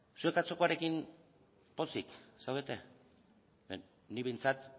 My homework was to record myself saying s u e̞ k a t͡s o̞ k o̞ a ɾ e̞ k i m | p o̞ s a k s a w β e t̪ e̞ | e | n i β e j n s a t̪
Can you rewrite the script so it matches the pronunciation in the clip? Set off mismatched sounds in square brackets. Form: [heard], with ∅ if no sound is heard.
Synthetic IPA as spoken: s u e̞ k a t͡s o̞ k o̞ a ɾ e̞ k i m | p o̞ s [i] k s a w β e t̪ e̞ | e | n i β e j n [t͡s] a t̪